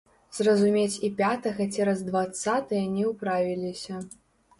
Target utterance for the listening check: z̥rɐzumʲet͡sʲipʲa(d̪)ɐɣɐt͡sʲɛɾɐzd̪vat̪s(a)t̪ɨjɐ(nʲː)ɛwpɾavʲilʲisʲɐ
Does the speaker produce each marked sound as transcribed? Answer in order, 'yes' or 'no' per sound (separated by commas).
no, yes, no